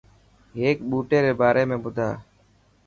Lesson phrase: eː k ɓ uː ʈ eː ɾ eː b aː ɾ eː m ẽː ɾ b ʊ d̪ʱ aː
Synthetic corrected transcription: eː k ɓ uː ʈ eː ɾ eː b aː ɾ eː m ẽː b ʊ d̪ʱ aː

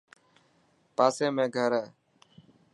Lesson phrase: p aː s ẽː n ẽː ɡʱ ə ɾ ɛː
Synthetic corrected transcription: p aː s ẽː m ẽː ɡʱ ə ɾ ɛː

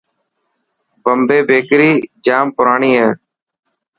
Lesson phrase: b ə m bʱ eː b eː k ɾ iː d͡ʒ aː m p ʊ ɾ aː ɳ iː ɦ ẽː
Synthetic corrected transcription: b ə m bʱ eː b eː k ɾ iː d͡ʒ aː m p ʊ ɾ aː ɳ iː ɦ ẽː

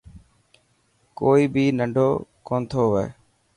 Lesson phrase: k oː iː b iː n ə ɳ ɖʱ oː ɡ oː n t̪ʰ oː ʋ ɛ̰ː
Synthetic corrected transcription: k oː iː b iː n ə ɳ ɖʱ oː k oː n t̪ʰ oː ʋ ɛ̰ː

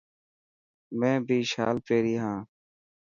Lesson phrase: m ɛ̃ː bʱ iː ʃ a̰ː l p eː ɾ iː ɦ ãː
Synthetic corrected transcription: m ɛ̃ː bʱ iː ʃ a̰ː l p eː ɾ iː ɦ ãː

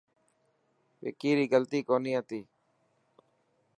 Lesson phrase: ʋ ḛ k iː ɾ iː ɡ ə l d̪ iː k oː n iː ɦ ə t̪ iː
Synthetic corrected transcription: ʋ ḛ k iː ɾ iː ɡ ə l t̪ iː k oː n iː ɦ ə t̪ iː

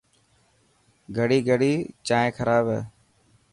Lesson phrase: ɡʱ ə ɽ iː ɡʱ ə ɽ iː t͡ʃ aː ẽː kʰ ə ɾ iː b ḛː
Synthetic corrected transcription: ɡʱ ə ɽ iː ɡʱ ə ɽ iː t͡ʃ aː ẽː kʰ ə ɾ aː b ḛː

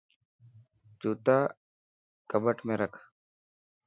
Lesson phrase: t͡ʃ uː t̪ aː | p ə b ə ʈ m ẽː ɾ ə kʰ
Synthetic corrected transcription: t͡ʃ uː t̪ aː | k ə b ə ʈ m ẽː ɾ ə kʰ

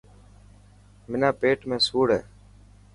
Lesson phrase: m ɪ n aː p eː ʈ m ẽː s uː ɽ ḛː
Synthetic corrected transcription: m ɪ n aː p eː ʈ m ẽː s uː ɽ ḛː

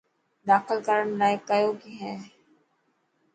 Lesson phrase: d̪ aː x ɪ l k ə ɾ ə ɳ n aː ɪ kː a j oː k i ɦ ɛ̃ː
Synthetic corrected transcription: d̪ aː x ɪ l k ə ɾ ə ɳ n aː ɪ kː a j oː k i ɦ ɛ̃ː

